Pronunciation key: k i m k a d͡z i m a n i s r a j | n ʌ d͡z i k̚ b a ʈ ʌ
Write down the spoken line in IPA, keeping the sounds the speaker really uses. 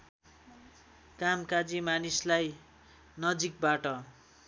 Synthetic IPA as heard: k a m k a d͡z i m a n i s l a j | n ʌ d͡z i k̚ b a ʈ ʌ